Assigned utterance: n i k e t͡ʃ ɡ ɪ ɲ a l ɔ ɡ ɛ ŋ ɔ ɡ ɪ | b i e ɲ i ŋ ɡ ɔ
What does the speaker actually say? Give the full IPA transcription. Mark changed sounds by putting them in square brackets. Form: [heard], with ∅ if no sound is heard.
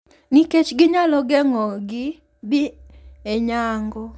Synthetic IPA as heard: n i k e t͡ʃ ɡ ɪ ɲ a l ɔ ɡ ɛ ŋ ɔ ɡ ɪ | b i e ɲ [a] ŋ ɡ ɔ